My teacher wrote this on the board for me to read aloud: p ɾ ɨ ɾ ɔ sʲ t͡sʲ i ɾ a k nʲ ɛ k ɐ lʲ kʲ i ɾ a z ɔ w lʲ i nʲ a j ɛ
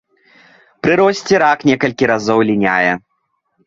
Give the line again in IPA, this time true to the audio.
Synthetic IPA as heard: p ɾ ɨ ɾ ɔ sʲ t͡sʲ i ɾ a k nʲ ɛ k ɐ lʲ kʲ i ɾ a z ɔ w lʲ i nʲ a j ɛ